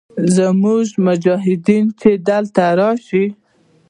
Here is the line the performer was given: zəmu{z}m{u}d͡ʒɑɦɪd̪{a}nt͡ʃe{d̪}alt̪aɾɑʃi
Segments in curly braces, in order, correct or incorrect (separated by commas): incorrect, incorrect, incorrect, correct